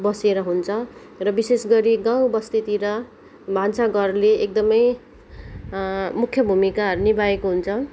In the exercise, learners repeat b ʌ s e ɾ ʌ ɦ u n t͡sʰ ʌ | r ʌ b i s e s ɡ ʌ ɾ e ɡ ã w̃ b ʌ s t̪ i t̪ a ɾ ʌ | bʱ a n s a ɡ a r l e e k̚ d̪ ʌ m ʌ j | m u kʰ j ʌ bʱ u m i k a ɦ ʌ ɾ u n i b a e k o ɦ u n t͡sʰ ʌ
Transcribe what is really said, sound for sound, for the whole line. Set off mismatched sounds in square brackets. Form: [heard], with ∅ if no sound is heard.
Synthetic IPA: b ʌ s e ɾ ʌ ɦ u n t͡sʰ ʌ | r ʌ b i s e s ɡ ʌ ɾ [i] ɡ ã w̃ b ʌ s t̪ i t̪ [i] ɾ ʌ | bʱ a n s a ɡ [ʌ] r l e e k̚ d̪ ʌ m ʌ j | m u kʰ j ʌ bʱ u m i k a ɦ ʌ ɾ u n i b a e k o ɦ u n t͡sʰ ʌ